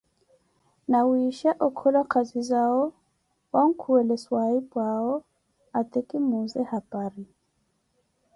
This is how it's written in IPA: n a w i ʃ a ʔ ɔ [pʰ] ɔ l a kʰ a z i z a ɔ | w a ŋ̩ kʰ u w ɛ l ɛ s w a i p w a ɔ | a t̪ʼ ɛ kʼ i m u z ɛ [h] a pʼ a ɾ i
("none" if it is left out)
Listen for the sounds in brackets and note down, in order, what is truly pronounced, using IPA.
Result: kʰ, h

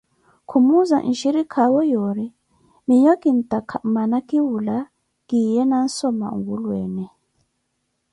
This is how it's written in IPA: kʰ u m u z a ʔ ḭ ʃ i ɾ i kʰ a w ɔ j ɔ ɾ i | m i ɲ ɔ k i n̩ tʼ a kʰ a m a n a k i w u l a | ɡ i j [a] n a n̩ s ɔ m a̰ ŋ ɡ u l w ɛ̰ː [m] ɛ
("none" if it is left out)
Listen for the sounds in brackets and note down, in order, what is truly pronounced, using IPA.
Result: ɛ, n

